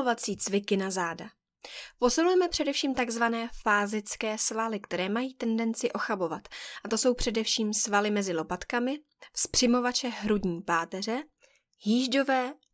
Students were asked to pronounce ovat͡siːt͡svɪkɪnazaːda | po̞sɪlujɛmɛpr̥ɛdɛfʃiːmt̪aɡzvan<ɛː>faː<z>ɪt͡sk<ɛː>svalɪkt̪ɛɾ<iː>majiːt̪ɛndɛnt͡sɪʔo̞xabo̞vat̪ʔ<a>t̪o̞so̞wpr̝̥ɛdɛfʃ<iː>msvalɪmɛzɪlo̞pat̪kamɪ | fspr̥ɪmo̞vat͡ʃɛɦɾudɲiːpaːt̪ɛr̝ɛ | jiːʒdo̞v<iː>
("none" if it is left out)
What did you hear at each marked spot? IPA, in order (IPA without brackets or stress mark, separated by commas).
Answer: ɛː, z, ɛː, ɛː, a, iː, ɛː